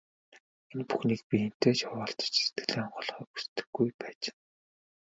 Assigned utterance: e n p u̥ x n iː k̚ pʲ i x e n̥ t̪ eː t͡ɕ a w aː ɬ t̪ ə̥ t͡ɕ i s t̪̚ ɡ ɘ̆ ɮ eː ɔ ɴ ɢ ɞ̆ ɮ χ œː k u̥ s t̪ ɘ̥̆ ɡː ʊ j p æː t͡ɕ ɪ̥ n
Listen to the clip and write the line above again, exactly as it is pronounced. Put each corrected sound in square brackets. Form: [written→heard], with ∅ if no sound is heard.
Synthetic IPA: e n p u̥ x n iː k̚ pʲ i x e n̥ t̪ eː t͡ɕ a w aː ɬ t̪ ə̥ t͡ɕ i s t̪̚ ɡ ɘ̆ ɮ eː ɔ ɴ ɢ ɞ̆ ɮ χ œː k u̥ s t̪ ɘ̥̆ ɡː [ʊ→u] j p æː t͡ɕ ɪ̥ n